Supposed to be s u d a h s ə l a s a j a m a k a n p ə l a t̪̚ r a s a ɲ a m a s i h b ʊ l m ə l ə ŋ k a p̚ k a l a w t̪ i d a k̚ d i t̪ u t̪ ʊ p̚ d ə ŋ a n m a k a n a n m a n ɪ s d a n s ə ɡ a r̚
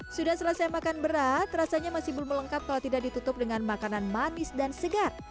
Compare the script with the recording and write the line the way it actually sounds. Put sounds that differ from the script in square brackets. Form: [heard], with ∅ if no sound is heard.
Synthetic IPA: s u d a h s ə l a s a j a m a k a n [b] ə [ɾ] a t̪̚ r a s a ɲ a m a s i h b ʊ l m ə l ə ŋ k a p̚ k a l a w t̪ i d a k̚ d i t̪ u t̪ ʊ p̚ d ə ŋ a n m a k a n a n m a n ɪ s d a n s ə ɡ a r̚